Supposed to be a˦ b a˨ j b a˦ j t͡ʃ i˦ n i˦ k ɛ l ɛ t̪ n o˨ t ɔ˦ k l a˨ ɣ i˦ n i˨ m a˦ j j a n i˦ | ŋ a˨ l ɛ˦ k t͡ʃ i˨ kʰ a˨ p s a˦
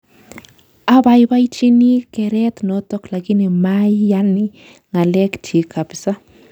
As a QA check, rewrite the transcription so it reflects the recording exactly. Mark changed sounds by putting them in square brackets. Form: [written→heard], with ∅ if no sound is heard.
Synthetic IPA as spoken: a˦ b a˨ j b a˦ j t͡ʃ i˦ n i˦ k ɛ [l→ɾ] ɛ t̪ n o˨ t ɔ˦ k l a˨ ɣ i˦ n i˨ m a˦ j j a n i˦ | ŋ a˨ l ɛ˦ k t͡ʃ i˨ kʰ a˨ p s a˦